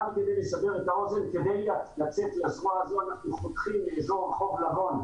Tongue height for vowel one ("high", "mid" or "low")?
low